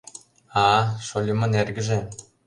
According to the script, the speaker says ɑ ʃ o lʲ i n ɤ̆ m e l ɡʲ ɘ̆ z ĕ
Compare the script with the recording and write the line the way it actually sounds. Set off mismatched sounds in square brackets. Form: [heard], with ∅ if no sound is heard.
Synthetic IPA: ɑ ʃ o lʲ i [m] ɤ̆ [n] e [r] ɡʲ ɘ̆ [ʒ] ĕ